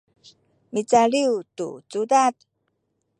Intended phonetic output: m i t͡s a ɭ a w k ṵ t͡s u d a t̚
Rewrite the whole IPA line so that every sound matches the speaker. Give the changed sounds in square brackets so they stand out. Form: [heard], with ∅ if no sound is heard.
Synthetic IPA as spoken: m i t͡s a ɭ [i] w [t] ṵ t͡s u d a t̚

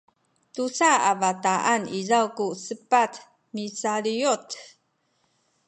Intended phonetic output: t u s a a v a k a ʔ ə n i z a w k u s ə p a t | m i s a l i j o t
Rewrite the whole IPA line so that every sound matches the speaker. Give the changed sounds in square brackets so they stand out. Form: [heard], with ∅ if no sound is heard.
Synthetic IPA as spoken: t u s a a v a [t] a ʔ [a] n i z a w k u s ə p a t | m i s a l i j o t

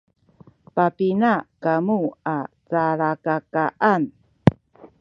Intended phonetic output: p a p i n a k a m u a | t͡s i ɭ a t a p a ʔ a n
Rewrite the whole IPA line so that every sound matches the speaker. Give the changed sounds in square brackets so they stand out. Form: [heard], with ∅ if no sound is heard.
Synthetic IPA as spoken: p a p i n a k a m u a | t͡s [a] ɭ a [k] a [k] a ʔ a n

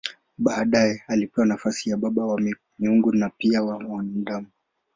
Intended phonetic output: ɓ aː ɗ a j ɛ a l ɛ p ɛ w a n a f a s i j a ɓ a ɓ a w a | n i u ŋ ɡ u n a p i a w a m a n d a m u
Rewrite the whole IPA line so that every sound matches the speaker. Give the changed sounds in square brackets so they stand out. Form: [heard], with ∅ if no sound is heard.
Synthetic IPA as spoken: ɓ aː ɗ a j ɛ a l [i] p ɛ w a n a f a s i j a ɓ a ɓ a w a | [m] i u ŋ ɡ u n a p i a w a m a n d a m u

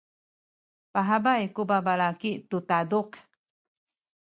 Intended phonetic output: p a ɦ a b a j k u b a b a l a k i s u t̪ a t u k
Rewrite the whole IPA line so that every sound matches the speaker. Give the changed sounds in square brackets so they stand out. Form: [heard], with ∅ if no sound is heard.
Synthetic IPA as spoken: p a ɦ a b a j k u b a b a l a k i [t] u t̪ a [d] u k

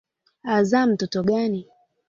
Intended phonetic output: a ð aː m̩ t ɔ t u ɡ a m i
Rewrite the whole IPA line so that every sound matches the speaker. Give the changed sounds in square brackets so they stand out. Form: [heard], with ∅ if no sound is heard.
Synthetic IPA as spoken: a [z] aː m̩ t ɔ t [ɔ] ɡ a [n] i

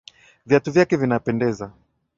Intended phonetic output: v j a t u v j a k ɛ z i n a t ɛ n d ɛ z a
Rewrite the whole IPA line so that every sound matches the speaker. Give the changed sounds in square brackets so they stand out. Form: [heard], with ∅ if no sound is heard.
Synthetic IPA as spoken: v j a t u v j a k ɛ [v] i n a [p] ɛ n d ɛ z a

